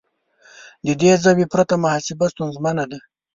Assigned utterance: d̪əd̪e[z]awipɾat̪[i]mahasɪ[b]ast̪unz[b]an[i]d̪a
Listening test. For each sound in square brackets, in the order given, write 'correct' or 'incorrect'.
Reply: correct, incorrect: a, correct, incorrect: m, incorrect: a

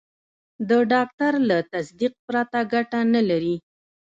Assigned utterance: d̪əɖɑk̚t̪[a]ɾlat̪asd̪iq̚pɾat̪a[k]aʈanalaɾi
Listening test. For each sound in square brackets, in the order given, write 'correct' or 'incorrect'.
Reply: correct, incorrect: ɡ

